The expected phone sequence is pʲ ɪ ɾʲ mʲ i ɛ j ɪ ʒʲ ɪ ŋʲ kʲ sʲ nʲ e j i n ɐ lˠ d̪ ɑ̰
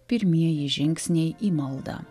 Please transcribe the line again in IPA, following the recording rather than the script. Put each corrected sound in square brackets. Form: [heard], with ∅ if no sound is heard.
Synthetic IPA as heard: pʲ ɪ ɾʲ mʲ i ɛ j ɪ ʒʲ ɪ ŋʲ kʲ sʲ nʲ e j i [m] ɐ lˠ d̪ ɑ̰